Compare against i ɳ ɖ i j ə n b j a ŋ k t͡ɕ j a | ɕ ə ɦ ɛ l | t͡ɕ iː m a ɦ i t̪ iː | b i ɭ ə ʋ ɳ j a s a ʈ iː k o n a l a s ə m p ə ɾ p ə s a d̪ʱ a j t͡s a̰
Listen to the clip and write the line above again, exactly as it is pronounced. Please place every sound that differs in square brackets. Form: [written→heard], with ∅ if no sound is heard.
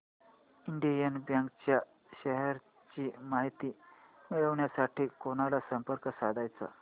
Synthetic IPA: i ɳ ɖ i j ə n b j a ŋ k t͡ɕ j a | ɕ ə ɦ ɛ [l→ɾ] | t͡ɕ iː m a ɦ i t̪ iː | [b→m] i ɭ ə ʋ ɳ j a s a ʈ iː k o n a l a s ə m p ə ɾ [p→k] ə s a d̪ʱ a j t͡s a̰